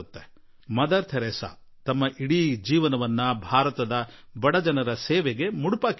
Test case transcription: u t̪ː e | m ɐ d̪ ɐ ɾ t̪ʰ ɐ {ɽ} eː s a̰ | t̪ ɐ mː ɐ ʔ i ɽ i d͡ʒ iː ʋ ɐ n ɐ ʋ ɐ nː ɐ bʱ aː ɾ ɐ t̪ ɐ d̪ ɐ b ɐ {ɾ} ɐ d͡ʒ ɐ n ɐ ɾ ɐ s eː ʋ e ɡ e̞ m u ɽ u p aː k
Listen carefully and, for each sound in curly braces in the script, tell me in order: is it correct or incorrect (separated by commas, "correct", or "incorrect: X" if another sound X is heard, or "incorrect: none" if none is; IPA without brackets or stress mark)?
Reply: incorrect: ɾ, incorrect: ɽ